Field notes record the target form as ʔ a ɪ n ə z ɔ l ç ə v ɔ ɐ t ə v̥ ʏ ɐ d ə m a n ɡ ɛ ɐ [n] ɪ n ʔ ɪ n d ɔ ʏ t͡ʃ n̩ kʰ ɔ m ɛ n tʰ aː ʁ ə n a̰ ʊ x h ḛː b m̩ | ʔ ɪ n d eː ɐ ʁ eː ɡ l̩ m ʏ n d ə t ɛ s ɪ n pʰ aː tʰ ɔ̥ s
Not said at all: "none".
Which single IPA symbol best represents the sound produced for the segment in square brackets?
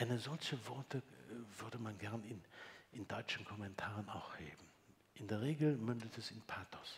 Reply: n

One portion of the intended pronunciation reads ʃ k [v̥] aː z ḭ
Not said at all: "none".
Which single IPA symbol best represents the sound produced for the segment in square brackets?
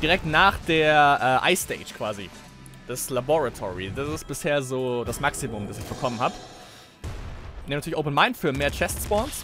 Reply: v̥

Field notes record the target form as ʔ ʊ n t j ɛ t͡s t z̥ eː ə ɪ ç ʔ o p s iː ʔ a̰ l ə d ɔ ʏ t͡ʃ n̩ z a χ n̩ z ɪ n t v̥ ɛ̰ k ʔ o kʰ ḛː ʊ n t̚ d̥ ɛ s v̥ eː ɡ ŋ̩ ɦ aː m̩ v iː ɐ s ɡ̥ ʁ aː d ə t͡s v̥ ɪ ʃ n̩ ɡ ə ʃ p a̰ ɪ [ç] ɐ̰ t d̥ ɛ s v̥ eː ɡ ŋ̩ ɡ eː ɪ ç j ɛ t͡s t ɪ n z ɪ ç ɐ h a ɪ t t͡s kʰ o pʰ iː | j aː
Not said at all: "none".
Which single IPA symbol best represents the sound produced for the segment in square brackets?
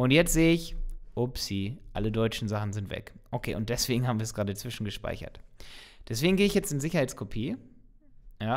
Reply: ç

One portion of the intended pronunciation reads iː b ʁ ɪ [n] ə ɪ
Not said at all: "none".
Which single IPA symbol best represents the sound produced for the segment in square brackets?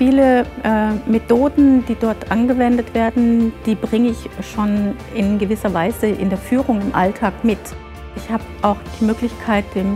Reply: ŋ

